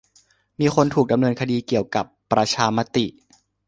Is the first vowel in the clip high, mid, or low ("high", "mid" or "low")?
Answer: high